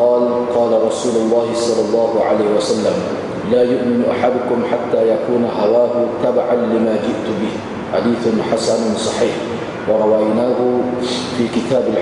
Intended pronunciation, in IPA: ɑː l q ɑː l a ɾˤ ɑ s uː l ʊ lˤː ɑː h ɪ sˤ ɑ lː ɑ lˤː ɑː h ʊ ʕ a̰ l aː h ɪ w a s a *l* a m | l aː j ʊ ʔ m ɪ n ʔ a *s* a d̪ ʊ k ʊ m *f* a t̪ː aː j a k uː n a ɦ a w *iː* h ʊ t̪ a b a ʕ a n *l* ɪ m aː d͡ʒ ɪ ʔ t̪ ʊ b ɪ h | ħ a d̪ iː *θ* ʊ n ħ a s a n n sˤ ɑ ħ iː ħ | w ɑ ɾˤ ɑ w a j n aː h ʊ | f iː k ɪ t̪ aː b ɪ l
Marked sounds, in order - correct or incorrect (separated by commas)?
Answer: incorrect, incorrect, incorrect, incorrect, correct, correct